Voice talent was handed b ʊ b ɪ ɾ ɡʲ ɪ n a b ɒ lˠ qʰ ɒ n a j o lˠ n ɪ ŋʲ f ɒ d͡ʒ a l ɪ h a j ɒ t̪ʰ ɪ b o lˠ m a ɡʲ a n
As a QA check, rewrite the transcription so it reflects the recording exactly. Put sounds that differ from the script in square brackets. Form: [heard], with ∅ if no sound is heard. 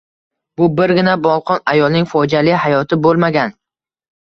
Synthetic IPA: b ʊ b ɪ ɾ ɡʲ ɪ n a b ɒ lˠ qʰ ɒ n a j [ɒ] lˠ n ɪ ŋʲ f ɒ d͡ʒ a l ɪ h a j ɒ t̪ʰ ɪ b o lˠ m a ɡʲ a n